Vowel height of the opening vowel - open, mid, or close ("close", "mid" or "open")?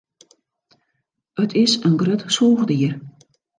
mid